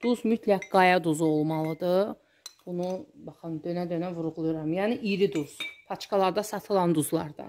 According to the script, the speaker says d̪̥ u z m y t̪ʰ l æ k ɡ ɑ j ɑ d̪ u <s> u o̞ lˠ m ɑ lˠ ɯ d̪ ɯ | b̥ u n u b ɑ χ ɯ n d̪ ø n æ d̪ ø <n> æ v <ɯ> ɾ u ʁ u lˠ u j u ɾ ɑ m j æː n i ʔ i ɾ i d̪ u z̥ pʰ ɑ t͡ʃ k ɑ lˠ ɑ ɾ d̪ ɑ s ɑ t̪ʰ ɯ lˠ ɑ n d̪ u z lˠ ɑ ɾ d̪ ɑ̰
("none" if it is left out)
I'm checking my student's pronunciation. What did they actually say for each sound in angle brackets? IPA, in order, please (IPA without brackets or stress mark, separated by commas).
z, n, u